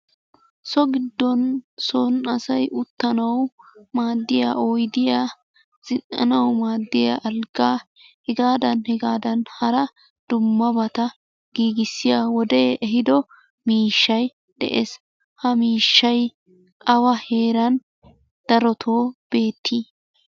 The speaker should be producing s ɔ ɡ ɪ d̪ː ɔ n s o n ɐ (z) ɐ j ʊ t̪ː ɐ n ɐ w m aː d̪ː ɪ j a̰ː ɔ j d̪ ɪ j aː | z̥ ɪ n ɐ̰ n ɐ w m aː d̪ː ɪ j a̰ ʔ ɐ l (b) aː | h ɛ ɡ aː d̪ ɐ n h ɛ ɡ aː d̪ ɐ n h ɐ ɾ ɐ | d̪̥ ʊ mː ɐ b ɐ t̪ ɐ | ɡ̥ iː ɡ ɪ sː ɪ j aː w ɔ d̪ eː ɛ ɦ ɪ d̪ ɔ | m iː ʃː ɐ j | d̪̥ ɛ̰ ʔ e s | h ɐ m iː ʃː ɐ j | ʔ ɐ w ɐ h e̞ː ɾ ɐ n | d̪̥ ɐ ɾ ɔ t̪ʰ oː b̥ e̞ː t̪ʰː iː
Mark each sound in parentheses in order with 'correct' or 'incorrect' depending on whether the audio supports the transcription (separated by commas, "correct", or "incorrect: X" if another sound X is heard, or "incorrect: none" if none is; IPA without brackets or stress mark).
incorrect: s, incorrect: ɡ